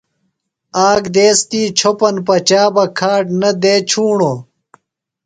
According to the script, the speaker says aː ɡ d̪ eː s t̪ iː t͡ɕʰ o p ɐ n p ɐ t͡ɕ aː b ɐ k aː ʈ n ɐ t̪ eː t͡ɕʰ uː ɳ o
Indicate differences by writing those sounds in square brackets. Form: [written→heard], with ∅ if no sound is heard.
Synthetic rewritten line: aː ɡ d̪ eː s t̪ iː t͡ɕʰ o p ɐ n p ɐ t͡ɕ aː b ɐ [k→kʰ] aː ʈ n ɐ [t̪→d̪] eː t͡ɕʰ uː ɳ o